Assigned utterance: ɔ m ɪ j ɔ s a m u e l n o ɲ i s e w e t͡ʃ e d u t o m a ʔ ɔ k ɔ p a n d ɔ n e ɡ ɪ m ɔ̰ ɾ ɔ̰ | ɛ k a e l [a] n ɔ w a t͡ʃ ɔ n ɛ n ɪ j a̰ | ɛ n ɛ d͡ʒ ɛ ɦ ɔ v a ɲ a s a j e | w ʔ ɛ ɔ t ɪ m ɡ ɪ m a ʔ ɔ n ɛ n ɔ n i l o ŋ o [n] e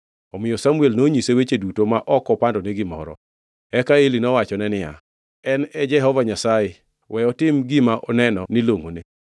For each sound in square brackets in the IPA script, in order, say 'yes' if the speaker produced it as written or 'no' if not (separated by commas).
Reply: no, yes